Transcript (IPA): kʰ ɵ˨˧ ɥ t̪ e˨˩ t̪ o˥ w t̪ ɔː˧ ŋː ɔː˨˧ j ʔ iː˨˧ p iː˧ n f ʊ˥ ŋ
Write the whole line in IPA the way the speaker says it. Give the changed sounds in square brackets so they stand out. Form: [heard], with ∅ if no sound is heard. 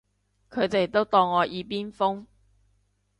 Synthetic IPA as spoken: kʰ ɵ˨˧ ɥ t̪ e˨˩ t̪ o˥ w t̪ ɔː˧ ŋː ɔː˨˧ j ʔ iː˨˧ p [iː˥] n f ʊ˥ ŋ

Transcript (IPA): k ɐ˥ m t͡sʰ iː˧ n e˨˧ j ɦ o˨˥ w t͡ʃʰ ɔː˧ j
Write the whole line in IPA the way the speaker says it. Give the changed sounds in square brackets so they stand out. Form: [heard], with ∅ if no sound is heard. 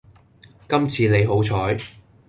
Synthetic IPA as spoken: k ɐ˥ m t͡sʰ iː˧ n e˨˧ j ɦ o˨˥ w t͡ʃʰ [ɔː˨˥] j

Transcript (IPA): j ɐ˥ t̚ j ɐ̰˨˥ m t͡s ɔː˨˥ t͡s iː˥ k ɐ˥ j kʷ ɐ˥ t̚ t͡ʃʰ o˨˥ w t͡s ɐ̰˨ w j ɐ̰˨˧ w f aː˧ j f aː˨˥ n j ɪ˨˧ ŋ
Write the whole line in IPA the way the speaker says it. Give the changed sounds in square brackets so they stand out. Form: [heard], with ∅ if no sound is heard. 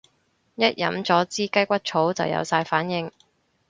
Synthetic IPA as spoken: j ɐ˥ t̚ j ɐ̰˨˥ m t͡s ɔː˨˥ t͡s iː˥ k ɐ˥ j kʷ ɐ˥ t̚ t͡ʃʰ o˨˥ w t͡s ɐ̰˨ w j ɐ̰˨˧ w [s] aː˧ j f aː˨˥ n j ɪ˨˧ ŋ

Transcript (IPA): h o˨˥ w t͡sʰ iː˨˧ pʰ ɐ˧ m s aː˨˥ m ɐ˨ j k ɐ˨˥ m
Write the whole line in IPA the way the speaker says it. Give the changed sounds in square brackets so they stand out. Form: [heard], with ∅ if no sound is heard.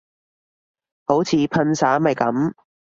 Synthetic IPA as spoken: h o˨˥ w t͡sʰ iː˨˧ pʰ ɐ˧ [n] s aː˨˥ m ɐ˨ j k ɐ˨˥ m

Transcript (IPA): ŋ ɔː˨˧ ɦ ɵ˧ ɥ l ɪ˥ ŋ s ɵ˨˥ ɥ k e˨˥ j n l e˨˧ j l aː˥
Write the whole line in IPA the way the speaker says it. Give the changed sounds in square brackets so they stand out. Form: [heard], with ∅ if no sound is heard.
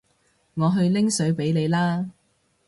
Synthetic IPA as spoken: ŋ ɔː˨˧ ɦ ɵ˧ ɥ l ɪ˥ ŋ s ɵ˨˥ ɥ [p] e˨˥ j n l e˨˧ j l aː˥

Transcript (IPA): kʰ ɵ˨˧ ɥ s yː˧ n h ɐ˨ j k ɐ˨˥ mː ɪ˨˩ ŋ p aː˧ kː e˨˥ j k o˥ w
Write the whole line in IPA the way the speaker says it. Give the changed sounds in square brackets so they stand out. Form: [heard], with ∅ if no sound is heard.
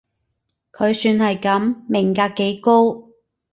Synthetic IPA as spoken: kʰ ɵ˨˧ ɥ s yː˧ n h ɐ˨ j k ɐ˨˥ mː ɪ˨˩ ŋ [k] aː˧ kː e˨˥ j k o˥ w

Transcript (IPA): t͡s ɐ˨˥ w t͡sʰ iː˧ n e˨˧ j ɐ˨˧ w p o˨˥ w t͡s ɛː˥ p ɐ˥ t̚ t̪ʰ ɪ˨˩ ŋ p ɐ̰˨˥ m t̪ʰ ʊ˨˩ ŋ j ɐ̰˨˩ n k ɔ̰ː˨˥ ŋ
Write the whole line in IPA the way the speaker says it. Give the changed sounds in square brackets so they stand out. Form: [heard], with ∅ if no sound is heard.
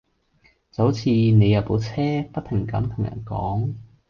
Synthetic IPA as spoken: t͡s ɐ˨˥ w t͡sʰ iː˧ n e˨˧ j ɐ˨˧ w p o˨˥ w [t͡sʰ] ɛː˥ p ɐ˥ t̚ t̪ʰ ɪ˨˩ ŋ [k] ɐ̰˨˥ m t̪ʰ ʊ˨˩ ŋ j ɐ̰˨˩ n k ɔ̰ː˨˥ ŋ

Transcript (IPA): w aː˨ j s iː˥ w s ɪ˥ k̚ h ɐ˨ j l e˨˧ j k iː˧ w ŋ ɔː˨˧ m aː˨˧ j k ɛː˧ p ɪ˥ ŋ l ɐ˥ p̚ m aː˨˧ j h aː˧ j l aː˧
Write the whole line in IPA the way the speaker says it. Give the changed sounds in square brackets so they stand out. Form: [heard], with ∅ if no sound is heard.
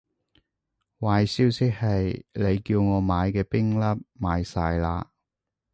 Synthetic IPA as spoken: w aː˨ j s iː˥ w s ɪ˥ k̚ h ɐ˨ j l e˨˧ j k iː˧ w ŋ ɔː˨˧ m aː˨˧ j k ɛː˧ p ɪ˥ ŋ l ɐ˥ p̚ m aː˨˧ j [s] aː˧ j l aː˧

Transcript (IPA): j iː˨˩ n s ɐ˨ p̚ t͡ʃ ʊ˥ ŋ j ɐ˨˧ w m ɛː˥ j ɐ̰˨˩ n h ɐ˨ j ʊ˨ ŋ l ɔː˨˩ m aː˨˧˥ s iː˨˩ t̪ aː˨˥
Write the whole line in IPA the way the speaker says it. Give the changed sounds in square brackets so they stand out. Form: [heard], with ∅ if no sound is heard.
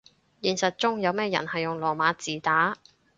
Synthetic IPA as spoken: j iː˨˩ n s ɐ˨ [t̚] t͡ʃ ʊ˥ ŋ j ɐ˨˧ w m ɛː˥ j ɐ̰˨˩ n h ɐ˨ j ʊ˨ ŋ l ɔː˨˩ m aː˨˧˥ [t͡s] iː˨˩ t̪ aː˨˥

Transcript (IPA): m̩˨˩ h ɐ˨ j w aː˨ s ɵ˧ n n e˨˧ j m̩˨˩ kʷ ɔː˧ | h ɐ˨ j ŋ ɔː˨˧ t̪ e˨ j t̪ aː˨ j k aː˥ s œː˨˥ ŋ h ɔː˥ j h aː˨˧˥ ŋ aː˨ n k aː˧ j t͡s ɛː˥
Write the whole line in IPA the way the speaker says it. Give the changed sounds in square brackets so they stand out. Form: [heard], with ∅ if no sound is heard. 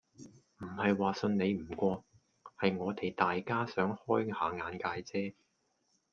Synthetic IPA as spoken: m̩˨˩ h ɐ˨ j w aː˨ s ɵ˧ n n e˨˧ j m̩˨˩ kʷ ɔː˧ | h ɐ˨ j ŋ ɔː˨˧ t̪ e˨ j t̪ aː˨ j k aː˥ s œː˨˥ ŋ h ɔː˥ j h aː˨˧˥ ŋ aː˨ n k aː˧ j t͡s ɛː˥

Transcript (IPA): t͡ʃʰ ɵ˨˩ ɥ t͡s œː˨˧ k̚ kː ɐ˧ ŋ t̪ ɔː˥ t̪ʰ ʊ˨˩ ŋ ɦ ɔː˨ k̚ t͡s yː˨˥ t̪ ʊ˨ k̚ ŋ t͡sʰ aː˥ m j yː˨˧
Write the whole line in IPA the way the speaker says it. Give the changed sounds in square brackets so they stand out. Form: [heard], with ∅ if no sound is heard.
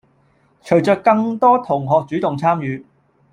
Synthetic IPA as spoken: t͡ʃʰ ɵ˨˩ ɥ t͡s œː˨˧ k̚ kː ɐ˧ ŋ t̪ ɔː˥ t̪ʰ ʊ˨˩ ŋ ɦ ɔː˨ k̚ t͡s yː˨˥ t̪ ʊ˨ [∅] ŋ t͡sʰ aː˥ m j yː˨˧

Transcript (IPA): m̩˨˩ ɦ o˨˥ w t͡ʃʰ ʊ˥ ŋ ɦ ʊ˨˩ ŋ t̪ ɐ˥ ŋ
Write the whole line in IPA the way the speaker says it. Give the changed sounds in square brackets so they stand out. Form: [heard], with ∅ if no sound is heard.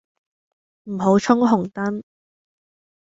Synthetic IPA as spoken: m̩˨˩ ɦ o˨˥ w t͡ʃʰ ʊ˥ ŋ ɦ ʊ˨˩ ŋ t̪ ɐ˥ [n]

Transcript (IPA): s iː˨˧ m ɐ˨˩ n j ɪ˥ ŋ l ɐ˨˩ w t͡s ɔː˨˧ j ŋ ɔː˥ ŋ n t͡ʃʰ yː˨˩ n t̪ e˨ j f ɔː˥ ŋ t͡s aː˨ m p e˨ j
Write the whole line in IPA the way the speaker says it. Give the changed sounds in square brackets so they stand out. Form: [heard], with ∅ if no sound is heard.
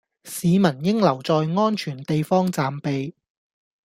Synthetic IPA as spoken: s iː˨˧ m ɐ˨˩ n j ɪ˥ ŋ l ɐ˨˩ w t͡s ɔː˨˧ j ŋ ɔː˥ [∅] n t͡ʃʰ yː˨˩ n t̪ e˨ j f ɔː˥ ŋ t͡s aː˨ m p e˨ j

